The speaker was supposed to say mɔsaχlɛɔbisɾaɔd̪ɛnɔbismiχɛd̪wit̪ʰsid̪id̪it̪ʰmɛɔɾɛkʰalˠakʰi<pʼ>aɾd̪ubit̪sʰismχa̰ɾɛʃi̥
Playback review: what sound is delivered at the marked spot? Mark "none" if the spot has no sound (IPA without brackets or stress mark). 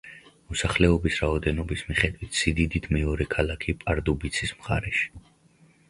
pʼ